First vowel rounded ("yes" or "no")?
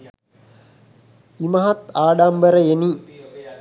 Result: no